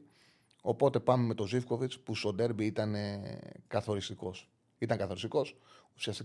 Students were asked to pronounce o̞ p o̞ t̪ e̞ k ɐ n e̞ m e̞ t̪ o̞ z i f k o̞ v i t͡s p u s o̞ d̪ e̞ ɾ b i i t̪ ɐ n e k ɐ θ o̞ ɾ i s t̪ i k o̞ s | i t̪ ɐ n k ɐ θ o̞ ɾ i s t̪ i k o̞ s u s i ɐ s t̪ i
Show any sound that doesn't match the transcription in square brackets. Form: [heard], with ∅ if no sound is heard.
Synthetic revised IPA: o̞ p o̞ t̪ e̞ [p] ɐ [m] e̞ m e̞ t̪ o̞ z i f k o̞ v i t͡s p u s o̞ d̪ e̞ ɾ b i i t̪ ɐ n e k ɐ θ o̞ ɾ i s t̪ i k o̞ s | i t̪ ɐ [ŋ] k ɐ θ o̞ ɾ i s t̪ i k o̞ s u s i ɐ s t̪ i